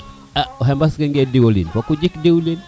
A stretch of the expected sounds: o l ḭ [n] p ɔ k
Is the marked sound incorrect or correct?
correct